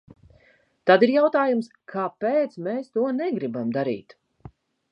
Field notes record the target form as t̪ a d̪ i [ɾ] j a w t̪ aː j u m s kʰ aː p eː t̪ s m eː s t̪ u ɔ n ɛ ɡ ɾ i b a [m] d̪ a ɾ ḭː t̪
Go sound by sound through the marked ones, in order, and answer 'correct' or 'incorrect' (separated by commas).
correct, correct